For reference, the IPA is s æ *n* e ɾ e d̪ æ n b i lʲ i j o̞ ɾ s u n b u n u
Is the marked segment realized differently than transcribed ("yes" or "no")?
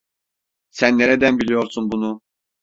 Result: yes